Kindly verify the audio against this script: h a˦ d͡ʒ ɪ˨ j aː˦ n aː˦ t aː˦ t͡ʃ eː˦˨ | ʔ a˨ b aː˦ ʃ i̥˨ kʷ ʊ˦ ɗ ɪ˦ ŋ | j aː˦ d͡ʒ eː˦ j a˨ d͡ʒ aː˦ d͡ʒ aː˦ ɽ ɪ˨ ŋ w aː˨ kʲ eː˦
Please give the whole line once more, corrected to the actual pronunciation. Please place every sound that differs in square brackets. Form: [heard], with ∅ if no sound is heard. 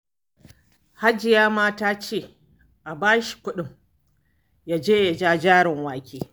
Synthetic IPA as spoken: h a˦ d͡ʒ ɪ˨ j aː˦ [m] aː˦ t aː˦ t͡ʃ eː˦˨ | ʔ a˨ b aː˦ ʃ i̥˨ kʷ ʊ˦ ɗ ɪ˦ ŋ | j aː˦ d͡ʒ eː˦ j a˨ d͡ʒ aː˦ d͡ʒ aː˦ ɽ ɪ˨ ŋ w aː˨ kʲ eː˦